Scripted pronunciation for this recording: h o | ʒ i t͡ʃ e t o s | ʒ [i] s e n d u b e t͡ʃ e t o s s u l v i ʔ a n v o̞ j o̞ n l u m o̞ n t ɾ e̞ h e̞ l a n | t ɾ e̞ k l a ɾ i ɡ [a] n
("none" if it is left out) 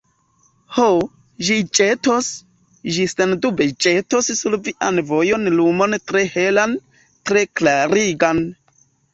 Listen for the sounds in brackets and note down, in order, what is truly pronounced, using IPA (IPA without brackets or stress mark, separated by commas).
i, a